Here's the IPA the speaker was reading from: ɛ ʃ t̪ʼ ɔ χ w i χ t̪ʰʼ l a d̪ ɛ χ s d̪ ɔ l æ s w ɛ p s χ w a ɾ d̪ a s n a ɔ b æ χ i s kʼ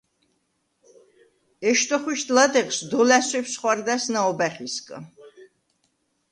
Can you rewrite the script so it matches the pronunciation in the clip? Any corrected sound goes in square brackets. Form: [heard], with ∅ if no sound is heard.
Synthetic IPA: ɛ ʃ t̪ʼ ɔ χ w i [ʃ] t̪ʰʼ l a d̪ ɛ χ s d̪ ɔ l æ s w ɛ p s χ w a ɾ d̪ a s n a ɔ b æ χ i s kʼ